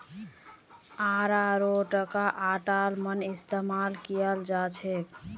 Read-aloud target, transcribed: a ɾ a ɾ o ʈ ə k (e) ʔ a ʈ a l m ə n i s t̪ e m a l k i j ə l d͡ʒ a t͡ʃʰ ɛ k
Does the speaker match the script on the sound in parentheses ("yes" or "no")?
no